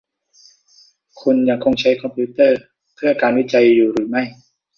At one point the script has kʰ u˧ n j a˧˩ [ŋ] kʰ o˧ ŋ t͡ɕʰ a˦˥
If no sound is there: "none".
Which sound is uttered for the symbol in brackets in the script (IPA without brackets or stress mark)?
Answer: ŋ